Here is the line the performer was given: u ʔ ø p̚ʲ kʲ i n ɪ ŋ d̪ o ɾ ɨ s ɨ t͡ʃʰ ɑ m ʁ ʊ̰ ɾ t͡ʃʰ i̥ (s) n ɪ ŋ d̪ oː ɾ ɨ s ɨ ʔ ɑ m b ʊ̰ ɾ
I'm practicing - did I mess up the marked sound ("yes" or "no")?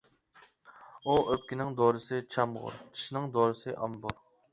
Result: yes